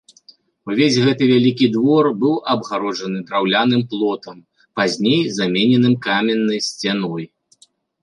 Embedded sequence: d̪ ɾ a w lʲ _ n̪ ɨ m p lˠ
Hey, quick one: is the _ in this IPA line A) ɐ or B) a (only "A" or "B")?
B